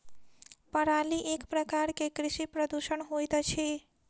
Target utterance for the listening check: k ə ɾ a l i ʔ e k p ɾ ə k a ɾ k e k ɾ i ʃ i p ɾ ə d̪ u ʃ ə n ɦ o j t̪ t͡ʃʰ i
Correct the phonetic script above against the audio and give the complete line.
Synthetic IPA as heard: p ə ɾ a l i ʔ e k p ɾ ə k a ɾ k e k ɾ i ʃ i p ɾ ə d̪ u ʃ ə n ɦ o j t̪ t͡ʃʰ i